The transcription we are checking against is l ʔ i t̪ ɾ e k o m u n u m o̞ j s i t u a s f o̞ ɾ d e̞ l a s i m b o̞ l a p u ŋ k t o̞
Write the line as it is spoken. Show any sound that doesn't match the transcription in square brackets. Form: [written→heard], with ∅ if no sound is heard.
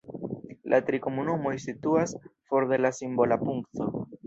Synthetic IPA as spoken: l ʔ [i→a] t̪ ɾ [e→i] k o m u n u m o̞ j s i t u a s f o̞ ɾ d e̞ l a s i m b o̞ l a p u ŋ k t o̞